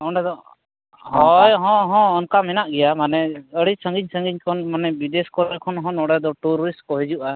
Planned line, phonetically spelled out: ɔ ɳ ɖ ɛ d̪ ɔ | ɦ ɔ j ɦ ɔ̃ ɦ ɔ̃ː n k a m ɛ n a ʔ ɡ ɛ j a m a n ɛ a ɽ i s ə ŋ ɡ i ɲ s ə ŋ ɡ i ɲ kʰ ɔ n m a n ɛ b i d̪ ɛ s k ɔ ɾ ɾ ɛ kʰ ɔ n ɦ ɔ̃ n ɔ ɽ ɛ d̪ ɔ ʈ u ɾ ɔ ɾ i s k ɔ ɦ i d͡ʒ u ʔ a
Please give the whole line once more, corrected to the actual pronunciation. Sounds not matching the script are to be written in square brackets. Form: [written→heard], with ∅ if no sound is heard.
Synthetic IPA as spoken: ɔ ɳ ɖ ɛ d̪ ɔ | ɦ ɔ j ɦ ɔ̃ ɦ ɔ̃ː n k a m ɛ n a ʔ ɡ ɛ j a m a n ɛ [a→ə] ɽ i s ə ŋ ɡ i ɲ s ə ŋ ɡ i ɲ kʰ ɔ n m a n ɛ b i d̪ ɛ s k ɔ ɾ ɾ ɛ kʰ ɔ n ɦ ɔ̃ n ɔ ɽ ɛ d̪ ɔ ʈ u ɾ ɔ ɾ i s k ɔ ɦ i d͡ʒ u ʔ a